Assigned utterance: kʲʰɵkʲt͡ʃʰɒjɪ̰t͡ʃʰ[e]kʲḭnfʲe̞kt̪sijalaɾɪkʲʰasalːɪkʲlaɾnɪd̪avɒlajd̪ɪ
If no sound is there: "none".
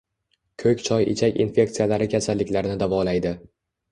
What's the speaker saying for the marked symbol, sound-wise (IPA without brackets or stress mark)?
a